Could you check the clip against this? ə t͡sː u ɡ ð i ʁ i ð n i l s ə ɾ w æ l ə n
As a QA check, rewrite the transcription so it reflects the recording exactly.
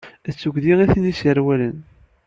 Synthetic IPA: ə t͡sː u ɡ ð i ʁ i θ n i s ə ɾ w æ l ə n

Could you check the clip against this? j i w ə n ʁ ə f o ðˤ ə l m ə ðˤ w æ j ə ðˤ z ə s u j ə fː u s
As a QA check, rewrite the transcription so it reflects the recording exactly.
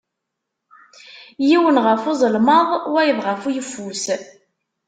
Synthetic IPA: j i w ə n ʁ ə f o zˤ ə l m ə ðˤ w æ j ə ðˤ ʁ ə f u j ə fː u s

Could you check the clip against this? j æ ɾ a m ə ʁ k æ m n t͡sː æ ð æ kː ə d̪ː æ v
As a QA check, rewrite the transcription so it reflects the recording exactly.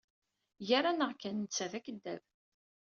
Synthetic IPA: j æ ɾ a n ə ʁ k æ n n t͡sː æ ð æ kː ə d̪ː æ v

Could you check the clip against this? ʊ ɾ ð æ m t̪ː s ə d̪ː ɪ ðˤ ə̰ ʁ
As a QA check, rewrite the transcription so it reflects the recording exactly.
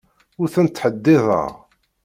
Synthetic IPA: ʊ ɾ θ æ n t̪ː ħ ə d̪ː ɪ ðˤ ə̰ ʁ

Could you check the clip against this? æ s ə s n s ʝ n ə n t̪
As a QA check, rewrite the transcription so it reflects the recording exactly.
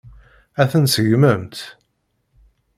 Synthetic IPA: æ θ ə n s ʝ m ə m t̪

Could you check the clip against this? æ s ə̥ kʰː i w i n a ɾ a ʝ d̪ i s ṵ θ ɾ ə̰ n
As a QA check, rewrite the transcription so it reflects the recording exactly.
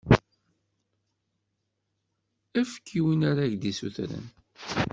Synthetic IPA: æ f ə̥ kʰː i w i n a ɾ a ʝ d̪ i s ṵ θ ɾ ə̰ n

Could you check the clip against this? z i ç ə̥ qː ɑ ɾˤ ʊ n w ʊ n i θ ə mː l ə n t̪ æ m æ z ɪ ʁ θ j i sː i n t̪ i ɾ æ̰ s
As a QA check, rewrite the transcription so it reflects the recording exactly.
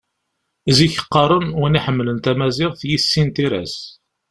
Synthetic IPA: z i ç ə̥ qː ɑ ɾˤ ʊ n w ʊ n i ħ ə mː l ə n t̪ æ m æ z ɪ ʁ θ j i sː i n t̪ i ɾ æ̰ s

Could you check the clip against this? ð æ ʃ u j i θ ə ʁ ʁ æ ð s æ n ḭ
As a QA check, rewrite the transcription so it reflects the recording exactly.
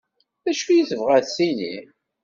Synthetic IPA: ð æ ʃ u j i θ ə v ʁ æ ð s i n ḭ

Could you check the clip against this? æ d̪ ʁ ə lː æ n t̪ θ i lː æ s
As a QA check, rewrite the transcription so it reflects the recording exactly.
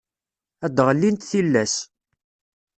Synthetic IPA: æ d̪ ʁ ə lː i n t̪ θ i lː æ s

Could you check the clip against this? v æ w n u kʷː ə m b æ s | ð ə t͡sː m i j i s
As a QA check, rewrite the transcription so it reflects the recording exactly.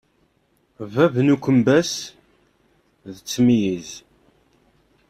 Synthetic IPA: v æ v n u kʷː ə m b æ s | ð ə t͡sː m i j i z

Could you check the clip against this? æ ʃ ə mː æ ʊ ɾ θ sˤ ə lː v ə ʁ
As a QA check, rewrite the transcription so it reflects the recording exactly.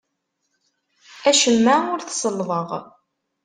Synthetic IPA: æ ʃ ə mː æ ʊ ɾ θ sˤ ə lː v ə ʁ

